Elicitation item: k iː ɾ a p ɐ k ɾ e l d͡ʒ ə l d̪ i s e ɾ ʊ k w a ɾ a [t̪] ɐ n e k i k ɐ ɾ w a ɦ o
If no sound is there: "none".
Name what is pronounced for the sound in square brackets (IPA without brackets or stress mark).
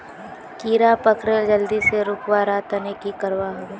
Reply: t̪